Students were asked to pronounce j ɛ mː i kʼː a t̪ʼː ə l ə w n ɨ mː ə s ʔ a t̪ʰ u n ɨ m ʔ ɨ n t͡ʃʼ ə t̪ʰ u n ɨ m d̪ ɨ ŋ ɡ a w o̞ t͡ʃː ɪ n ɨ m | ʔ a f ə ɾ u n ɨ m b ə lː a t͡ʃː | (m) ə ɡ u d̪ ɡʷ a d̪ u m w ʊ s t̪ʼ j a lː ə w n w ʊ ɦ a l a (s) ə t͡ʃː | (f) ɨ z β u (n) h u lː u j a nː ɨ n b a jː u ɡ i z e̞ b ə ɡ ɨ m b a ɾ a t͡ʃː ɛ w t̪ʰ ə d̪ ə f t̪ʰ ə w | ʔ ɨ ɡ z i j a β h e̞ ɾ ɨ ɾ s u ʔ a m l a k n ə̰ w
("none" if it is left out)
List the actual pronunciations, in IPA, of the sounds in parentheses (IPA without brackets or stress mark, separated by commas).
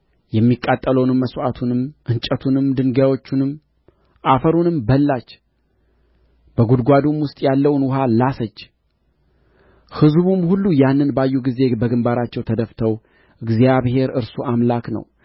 b, s, h, m